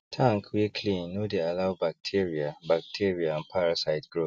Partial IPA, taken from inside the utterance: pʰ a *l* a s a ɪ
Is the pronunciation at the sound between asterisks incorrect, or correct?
incorrect